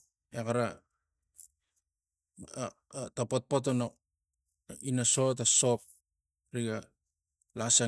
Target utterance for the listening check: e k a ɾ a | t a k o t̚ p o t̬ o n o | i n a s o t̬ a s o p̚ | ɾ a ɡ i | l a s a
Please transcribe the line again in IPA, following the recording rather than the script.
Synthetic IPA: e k a ɾ a | t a p o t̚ p o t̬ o n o | i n a s o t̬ a s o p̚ | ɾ i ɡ a | l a s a